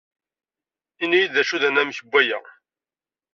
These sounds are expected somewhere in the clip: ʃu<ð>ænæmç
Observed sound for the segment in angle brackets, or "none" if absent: ð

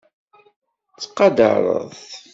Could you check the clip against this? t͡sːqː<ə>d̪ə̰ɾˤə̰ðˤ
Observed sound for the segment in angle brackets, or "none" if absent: ɑ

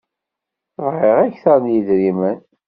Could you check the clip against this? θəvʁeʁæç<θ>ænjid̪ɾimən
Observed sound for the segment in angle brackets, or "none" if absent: θ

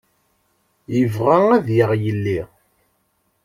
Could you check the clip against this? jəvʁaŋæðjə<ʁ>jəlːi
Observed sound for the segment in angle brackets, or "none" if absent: ʁ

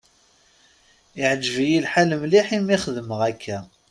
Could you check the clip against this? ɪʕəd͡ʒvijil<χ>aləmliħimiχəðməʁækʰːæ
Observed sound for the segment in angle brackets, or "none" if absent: ħ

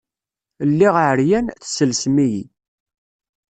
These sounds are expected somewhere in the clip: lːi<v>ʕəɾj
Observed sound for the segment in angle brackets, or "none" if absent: ʁ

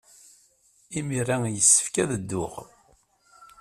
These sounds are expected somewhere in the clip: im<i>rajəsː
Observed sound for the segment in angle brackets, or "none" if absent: i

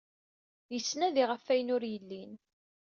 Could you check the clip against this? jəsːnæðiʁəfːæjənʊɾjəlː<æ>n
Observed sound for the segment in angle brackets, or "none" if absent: i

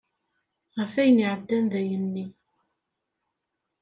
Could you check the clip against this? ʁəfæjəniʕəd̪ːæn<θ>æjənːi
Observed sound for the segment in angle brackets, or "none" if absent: ð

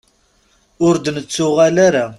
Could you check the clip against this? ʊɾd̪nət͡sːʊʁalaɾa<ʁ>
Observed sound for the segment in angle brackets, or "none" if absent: none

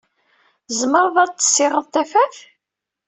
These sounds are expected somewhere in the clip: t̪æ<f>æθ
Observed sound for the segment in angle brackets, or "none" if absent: f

